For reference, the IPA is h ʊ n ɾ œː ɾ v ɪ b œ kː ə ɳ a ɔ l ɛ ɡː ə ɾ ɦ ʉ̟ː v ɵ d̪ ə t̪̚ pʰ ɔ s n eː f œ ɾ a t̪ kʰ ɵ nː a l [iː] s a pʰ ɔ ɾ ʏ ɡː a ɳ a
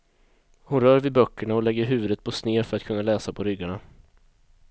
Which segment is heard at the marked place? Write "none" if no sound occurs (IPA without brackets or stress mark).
ɛː